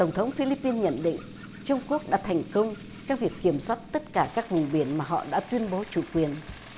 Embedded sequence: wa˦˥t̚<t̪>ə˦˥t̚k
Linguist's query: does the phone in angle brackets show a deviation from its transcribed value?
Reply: no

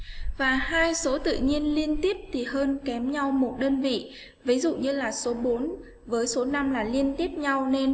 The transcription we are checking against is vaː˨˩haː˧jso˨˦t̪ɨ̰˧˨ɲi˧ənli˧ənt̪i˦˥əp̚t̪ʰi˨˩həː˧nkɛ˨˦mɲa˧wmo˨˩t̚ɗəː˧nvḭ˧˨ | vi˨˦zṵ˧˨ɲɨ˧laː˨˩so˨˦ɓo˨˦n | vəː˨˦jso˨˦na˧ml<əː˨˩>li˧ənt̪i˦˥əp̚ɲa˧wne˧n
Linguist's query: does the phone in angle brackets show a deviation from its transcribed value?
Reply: yes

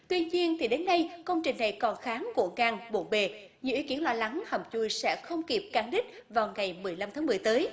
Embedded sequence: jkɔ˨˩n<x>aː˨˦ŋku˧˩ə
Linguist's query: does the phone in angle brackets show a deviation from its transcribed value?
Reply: no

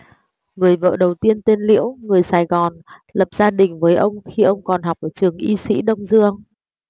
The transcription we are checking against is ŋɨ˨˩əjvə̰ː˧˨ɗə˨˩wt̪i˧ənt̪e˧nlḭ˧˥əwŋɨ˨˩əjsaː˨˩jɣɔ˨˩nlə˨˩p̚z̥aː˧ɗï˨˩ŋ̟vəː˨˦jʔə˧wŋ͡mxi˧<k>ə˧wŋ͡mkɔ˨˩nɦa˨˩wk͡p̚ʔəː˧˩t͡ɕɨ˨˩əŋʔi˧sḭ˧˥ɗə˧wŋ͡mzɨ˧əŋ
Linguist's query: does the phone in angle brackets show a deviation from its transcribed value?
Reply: yes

